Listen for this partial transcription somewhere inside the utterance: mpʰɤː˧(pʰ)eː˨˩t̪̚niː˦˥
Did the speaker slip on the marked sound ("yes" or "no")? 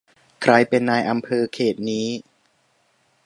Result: yes